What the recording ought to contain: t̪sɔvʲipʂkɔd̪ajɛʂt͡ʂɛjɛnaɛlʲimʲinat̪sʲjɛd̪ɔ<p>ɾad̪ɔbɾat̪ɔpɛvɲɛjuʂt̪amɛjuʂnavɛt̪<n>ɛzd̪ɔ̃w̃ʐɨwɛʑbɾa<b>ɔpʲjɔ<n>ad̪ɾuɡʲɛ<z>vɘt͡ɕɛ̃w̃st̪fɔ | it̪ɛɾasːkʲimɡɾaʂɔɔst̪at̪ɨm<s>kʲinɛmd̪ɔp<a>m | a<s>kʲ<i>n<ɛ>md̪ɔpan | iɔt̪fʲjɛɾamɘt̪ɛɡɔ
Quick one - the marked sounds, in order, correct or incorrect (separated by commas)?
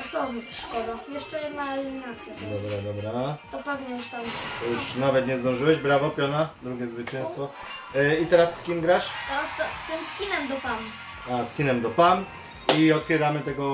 incorrect, incorrect, incorrect, correct, correct, correct, correct, correct, correct, correct